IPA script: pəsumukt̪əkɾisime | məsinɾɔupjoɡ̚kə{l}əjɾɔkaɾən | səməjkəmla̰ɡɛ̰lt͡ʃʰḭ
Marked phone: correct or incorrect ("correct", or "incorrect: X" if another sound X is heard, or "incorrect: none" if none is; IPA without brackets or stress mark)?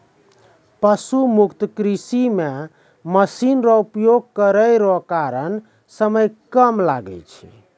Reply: incorrect: ɾ